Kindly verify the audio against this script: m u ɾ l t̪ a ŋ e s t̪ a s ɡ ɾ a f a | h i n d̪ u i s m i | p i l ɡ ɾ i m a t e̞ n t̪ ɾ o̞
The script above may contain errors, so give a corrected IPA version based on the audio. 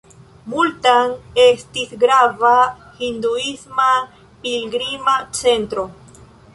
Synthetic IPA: m u l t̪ a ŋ e s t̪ i s ɡ ɾ a v a | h i n d̪ u i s m a | p i l ɡ ɾ i m a t͡s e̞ n t̪ ɾ o̞